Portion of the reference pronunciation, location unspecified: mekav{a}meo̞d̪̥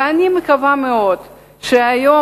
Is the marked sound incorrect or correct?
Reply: correct